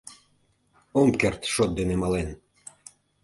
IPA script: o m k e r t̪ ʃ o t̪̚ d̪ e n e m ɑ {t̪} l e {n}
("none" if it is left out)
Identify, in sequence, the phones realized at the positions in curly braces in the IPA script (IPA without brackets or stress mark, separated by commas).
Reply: none, n